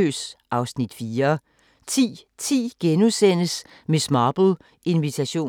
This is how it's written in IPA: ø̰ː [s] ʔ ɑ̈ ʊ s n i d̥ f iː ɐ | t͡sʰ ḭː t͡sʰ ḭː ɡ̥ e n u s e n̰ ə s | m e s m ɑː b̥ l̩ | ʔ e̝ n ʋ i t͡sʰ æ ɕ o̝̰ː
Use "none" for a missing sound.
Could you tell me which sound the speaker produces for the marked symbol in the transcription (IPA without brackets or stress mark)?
s